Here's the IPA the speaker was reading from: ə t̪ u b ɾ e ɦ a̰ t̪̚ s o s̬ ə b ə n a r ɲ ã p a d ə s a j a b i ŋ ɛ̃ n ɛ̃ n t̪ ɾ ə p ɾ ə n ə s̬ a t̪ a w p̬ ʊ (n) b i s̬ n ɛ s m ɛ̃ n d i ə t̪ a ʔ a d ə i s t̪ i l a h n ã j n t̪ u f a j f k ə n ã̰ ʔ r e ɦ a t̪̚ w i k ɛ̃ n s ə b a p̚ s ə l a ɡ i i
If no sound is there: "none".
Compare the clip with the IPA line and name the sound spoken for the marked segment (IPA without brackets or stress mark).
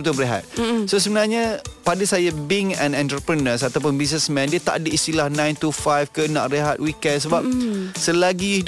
n